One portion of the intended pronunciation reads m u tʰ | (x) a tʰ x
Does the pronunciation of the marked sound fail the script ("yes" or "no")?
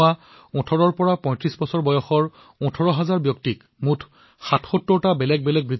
no